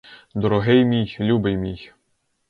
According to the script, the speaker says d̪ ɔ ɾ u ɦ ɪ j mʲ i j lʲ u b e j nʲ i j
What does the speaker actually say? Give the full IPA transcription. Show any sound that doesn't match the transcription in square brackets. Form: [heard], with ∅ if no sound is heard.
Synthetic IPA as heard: d̪ ɔ ɾ [ɔ] ɦ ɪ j mʲ i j lʲ u b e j [mʲ] i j

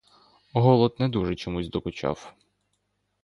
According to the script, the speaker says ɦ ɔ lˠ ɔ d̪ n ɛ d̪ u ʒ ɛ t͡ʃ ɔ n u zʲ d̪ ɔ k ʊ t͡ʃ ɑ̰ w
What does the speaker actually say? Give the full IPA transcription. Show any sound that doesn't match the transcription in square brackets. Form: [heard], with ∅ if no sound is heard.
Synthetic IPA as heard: ɦ ɔ lˠ ɔ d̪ n ɛ d̪ u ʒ ɛ t͡ʃ ɔ [m] u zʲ d̪ ɔ k ʊ t͡ʃ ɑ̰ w

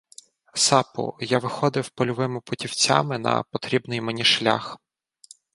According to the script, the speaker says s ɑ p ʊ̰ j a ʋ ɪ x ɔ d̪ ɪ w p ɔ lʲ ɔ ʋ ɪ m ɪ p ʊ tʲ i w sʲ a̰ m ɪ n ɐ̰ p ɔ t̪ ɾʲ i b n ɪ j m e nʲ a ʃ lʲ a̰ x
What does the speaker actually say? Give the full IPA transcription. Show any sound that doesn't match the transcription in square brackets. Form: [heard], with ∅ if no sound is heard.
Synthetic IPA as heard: s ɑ p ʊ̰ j a ʋ ɪ x ɔ d̪ ɪ w p ɔ lʲ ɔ ʋ ɪ m ɪ p ʊ tʲ i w [t͡sʲ] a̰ m ɪ n ɐ̰ p ɔ t̪ ɾʲ i b n ɪ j m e nʲ [i] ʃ lʲ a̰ x

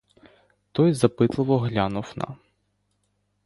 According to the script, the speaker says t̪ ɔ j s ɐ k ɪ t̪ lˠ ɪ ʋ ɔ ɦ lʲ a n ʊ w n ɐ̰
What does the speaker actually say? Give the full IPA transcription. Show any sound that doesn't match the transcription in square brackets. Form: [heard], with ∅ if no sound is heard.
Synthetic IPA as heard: t̪ ɔ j [z] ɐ [p] ɪ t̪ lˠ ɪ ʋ ɔ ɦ lʲ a n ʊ w n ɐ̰

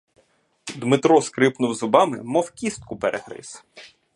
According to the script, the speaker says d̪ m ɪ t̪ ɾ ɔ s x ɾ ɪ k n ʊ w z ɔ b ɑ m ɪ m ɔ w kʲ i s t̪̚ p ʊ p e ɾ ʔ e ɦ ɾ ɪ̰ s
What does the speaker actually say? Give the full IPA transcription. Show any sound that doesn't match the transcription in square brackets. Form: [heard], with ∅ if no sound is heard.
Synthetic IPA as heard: d̪ m ɪ t̪ ɾ ɔ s [k] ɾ ɪ [p] n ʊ w z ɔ b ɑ m ɪ m ɔ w kʲ i s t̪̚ [k] ʊ p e ɾ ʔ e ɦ ɾ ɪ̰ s

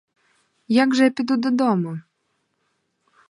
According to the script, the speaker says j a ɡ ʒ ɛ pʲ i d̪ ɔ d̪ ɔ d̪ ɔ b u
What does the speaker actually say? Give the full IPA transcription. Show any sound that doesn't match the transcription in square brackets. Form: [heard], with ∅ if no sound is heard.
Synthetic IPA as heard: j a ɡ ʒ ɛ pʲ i d̪ [u] d̪ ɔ d̪ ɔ [m] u

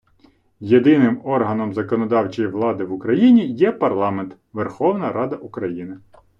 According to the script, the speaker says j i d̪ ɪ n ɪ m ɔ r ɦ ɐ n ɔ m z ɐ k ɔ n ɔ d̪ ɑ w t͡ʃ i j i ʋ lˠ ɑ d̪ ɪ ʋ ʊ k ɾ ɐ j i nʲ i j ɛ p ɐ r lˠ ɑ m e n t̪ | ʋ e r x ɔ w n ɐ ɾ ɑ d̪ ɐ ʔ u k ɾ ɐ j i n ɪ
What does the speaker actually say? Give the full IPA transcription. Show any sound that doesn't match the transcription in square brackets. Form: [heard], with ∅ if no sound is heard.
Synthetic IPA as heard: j [e] d̪ ɪ n ɪ m ɔ r ɦ ɐ n ɔ m z ɐ k ɔ n ɔ d̪ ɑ w t͡ʃ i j i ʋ lˠ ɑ d̪ ɪ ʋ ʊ k ɾ ɐ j i nʲ i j ɛ p ɐ r lˠ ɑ m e n t̪ | ʋ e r x ɔ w n ɐ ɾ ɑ d̪ ɐ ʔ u k ɾ ɐ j i n ɪ

